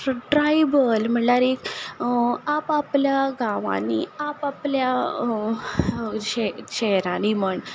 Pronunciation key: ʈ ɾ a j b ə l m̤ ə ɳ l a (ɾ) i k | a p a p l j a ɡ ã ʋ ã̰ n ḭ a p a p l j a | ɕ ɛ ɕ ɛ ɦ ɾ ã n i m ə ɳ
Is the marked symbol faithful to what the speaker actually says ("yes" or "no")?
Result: yes